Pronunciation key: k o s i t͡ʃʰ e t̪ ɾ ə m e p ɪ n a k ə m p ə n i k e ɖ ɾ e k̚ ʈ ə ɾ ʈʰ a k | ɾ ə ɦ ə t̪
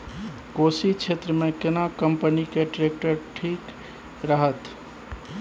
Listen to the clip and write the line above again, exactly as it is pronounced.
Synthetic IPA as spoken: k o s i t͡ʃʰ e t̪ ɾ ə m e k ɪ n a k ə m p ə n i k e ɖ ɾ e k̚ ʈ ə ɾ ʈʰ i k | ɾ ə ɦ ə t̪